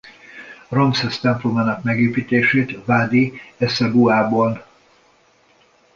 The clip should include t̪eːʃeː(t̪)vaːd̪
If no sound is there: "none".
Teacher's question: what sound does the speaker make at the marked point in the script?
t̪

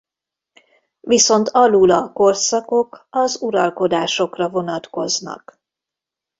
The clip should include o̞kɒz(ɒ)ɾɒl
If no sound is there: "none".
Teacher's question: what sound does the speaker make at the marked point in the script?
u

